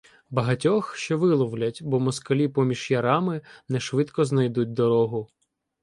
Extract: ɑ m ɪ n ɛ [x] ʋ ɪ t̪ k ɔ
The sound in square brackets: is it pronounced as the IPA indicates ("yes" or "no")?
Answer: no